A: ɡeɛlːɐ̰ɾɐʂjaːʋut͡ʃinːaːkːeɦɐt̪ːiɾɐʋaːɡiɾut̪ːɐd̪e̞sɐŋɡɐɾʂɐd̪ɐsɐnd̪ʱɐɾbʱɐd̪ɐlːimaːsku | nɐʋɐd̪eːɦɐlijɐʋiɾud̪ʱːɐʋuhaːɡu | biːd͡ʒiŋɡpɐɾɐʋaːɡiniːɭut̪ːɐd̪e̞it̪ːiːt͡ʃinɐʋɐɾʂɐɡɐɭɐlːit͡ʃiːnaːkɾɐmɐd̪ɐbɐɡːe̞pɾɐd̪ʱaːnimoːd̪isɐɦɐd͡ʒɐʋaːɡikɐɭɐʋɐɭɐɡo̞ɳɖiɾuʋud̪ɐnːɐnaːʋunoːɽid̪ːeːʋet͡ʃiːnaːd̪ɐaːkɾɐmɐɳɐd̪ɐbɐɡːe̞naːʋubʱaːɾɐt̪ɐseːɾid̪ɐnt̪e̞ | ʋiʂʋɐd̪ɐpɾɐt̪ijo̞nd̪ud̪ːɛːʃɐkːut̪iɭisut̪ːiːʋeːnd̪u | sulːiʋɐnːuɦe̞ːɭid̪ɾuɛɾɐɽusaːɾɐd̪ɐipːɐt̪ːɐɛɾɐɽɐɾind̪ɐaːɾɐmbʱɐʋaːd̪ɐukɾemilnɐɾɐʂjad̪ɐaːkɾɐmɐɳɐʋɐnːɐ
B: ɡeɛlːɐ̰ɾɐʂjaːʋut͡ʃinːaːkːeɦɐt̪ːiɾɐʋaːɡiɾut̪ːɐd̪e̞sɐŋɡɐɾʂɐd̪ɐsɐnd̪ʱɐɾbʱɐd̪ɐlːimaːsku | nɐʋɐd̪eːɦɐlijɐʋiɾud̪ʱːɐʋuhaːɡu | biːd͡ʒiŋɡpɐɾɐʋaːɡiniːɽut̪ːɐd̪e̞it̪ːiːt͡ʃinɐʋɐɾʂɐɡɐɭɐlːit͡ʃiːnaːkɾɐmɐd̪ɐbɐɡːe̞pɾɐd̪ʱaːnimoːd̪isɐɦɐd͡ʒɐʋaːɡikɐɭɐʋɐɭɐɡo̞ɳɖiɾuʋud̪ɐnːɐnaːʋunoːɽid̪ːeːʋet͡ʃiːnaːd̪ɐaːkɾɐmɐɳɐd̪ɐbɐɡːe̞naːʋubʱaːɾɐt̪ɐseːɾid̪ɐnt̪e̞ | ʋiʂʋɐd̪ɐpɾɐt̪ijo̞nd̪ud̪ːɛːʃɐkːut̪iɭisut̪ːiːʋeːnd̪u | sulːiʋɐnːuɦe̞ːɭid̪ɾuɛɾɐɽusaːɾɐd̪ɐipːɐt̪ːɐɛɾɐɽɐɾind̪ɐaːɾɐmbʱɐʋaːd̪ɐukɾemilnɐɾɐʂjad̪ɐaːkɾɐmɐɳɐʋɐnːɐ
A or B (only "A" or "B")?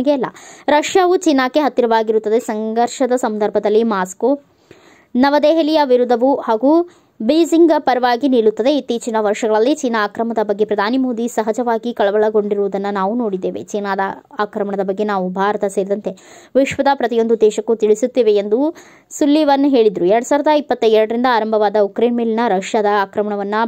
A